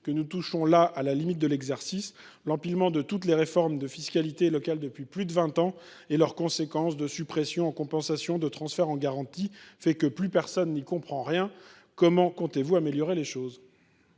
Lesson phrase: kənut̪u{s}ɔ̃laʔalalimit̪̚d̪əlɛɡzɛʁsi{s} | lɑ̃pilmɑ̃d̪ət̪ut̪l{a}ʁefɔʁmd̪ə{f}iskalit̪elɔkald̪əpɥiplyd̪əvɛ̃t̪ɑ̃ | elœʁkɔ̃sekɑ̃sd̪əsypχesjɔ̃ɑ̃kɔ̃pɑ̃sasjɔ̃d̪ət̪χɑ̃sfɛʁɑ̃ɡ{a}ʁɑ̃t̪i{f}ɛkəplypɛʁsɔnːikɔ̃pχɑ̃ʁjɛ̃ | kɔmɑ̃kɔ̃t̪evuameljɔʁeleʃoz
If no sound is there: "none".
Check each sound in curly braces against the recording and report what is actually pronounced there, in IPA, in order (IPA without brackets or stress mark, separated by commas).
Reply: ʃ, s, e, f, a, f